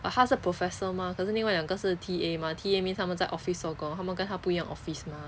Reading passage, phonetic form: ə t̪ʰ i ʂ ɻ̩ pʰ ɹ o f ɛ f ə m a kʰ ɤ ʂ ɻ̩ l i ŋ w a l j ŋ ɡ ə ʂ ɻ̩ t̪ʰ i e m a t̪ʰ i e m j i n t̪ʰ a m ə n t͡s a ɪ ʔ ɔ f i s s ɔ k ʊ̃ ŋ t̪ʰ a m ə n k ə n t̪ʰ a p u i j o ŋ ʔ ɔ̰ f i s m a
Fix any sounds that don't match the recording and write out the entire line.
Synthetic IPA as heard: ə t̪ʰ a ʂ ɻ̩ pʰ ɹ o f ɛ s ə m a kʰ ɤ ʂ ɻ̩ l i ŋ w a l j ŋ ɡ ə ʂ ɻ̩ t̪ʰ i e m a t̪ʰ i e m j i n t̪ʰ a m ə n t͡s a ɪ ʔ ɔ f i s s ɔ k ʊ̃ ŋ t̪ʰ a m ə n k ə n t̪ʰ a p u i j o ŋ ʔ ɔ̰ f i s m a

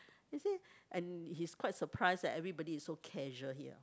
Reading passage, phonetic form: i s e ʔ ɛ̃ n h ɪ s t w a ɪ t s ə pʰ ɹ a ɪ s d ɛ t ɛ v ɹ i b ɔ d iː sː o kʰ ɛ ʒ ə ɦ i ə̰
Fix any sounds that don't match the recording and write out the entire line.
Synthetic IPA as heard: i s e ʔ ɛ̃ n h i s k w a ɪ t s ə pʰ ɹ a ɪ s d ɛ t ɛ v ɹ i b ɔ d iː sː o kʰ ɛ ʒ ə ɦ i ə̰

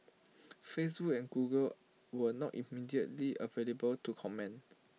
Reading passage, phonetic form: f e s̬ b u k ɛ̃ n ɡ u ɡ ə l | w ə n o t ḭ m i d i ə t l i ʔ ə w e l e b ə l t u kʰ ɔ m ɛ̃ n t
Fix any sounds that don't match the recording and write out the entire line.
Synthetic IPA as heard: f e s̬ b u k ɛ̃ n ɡ u ɡ ə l | w ə n ɔ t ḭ m i d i ə t l i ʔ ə v e l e b ə l t u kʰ ɔ m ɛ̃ n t

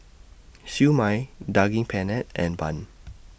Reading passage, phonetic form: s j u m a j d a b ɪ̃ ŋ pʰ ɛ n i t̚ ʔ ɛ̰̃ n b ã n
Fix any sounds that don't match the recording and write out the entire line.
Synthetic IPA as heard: s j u m a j d a ɡ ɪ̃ ŋ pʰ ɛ n ɛ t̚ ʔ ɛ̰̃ n b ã n

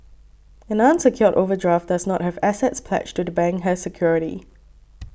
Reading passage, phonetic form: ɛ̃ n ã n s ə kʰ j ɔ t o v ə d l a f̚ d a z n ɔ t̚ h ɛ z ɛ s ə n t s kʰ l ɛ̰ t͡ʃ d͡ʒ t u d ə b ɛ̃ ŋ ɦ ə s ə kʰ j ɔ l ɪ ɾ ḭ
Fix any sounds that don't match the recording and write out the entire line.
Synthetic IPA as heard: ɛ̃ n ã n s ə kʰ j ɔ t o v ə d ɹ a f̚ d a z n ɔ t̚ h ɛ v ɛ s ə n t s pʰ l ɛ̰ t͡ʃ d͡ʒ t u d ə b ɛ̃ ŋ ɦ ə s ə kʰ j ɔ ɹ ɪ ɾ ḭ

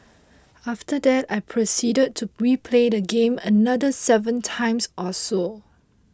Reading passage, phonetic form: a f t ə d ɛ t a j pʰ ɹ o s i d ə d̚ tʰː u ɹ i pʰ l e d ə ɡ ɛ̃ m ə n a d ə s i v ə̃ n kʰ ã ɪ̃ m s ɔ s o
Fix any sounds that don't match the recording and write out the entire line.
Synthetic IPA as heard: a f t ə d ɛ t a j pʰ ɹ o s i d ə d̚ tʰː u ɹ i pʰ l e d ə ɡ ẽ m ə n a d ə s ɛ v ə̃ n tʰ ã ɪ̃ m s ɔ s o

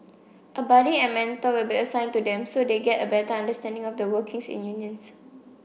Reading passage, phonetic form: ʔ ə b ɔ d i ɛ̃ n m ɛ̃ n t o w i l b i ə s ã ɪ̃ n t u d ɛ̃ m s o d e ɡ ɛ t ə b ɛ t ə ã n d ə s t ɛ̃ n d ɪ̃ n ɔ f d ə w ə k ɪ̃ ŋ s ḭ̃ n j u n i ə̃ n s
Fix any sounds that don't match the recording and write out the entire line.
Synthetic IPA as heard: ʔ ə b ɔ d i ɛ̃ n m ɛ̃ n t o w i l b i ə s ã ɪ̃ n t u d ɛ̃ m s o d e ɡ ɛ t ə b ɛ t ə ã n d ə s t ɛ̃ n d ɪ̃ ŋ ɔ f d ə w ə k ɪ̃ ŋ s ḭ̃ n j u n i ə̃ n s

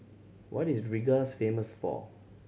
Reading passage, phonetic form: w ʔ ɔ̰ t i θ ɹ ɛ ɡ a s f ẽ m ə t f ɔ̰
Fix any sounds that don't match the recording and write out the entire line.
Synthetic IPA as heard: w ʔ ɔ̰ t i s ɹ i ɡ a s f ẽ m ə s f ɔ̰

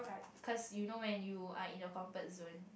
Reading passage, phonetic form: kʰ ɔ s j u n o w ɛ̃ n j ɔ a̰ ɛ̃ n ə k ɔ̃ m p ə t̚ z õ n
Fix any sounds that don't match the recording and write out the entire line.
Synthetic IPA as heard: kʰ ɔ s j u n o w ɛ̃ n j u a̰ ĩ n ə k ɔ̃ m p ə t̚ z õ n

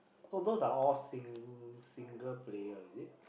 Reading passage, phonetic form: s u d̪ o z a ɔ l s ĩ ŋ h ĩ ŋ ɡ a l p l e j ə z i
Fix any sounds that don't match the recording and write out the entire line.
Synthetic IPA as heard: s o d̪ o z a ɔ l s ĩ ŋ s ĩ ŋ ɡ ə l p l e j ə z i

